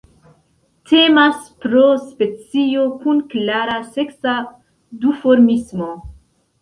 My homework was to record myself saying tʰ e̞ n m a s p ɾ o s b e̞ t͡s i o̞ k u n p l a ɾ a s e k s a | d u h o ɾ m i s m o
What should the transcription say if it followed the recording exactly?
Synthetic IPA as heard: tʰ e̞ m a s p ɾ o s p e̞ t͡s i o̞ k u n k l a ɾ a s e k s a | d u f o ɾ m i s m o